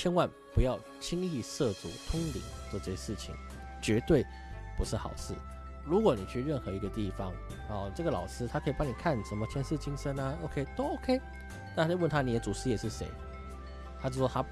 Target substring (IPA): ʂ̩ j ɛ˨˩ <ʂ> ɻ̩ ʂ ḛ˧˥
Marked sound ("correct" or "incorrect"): correct